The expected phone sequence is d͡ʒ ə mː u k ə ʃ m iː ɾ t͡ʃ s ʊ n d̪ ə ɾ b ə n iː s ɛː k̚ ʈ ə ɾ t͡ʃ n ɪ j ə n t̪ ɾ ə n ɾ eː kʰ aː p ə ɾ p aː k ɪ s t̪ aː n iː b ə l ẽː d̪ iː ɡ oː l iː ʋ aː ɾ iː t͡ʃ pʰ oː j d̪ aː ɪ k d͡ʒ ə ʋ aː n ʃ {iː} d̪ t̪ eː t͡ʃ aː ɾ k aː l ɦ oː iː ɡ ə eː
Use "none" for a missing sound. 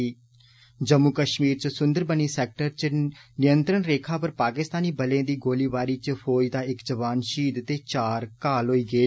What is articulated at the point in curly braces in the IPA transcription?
iː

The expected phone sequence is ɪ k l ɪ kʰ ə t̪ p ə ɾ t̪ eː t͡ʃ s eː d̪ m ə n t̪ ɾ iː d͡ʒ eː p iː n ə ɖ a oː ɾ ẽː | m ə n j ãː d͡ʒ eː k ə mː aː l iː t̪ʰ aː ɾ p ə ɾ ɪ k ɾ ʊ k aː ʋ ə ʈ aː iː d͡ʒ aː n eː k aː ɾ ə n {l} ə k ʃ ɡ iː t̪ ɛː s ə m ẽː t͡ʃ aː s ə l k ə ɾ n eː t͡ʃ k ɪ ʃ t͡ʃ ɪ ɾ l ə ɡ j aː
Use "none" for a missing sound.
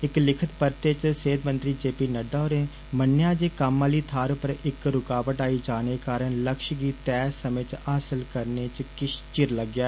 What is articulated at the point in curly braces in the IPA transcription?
l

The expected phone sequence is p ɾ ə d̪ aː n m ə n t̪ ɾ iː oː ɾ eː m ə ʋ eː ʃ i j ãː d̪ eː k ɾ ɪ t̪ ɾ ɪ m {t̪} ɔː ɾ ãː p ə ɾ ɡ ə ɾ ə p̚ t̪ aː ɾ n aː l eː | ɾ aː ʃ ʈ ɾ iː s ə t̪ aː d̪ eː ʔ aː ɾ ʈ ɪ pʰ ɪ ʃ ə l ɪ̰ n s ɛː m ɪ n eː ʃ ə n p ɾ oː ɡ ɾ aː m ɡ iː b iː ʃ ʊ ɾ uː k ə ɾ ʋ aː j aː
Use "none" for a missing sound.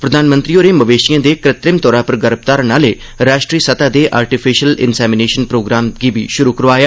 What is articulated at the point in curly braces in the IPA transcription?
t̪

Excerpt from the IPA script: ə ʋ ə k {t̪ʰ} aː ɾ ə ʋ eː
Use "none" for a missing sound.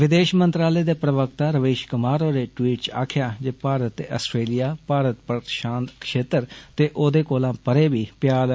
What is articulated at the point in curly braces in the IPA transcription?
t̪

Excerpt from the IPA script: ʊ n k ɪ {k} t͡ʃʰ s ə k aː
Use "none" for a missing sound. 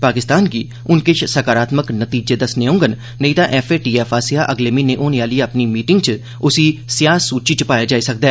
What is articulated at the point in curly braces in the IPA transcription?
none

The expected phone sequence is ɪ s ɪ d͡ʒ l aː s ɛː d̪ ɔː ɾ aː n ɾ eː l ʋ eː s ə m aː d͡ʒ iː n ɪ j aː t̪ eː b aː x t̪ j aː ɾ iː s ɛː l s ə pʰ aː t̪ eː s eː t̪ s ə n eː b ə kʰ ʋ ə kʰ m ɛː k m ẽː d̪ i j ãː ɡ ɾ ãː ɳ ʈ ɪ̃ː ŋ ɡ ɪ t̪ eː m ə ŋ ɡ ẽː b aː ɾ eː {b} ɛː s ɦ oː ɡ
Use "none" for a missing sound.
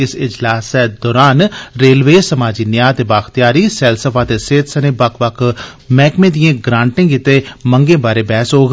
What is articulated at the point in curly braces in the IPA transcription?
b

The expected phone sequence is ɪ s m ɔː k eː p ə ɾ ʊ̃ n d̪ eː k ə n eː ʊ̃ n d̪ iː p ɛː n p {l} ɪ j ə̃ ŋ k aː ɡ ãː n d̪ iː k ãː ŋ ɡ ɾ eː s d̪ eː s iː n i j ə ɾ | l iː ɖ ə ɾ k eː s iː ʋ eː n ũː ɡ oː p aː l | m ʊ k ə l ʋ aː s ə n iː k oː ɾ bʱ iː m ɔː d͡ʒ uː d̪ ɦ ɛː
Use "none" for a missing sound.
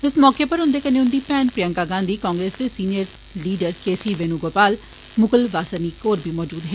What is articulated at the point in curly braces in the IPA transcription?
ɾ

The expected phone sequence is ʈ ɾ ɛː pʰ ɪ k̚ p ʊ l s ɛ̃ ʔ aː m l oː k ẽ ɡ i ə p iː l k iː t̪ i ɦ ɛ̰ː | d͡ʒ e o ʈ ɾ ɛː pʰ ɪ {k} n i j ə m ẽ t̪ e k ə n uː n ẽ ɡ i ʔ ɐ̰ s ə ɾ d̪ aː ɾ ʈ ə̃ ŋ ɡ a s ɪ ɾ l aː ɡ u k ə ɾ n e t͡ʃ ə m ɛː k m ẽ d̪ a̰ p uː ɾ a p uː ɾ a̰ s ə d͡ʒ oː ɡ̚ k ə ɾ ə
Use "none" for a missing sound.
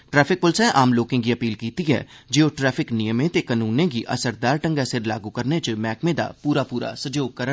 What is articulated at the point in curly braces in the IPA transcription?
k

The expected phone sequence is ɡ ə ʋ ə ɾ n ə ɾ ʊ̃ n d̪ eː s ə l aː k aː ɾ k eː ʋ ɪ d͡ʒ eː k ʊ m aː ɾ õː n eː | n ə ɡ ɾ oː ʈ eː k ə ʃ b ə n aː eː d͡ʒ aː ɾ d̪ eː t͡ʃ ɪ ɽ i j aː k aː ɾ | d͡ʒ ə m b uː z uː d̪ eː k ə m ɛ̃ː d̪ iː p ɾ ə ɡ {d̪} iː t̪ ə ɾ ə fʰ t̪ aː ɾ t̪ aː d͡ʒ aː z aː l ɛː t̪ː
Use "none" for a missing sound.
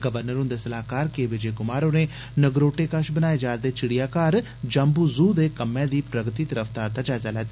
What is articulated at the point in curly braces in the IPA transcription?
t̪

